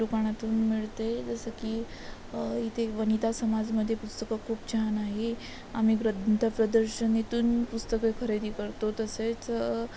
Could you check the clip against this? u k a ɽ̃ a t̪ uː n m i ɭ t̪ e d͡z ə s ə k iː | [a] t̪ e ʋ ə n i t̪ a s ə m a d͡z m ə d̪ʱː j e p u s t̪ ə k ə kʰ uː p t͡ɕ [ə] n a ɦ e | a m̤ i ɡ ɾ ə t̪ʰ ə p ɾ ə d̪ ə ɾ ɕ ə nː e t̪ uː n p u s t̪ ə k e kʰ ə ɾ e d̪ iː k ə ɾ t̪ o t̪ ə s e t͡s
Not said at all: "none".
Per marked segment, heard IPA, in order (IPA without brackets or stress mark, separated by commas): i, a